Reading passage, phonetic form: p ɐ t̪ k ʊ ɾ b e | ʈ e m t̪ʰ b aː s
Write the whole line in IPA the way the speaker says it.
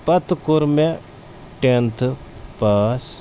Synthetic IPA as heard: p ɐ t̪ k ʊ ɾ m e | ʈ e n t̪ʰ p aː s